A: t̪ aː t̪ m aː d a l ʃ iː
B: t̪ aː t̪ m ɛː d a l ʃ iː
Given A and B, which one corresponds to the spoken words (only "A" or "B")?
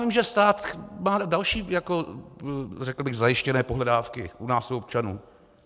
A